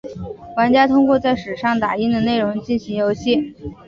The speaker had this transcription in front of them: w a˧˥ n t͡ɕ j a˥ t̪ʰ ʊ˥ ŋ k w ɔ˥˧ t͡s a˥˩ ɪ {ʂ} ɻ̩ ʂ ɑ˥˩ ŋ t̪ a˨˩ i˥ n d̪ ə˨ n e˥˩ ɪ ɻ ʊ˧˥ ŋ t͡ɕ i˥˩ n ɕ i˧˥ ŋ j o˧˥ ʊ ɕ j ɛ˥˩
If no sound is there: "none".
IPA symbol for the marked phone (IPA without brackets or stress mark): ʂ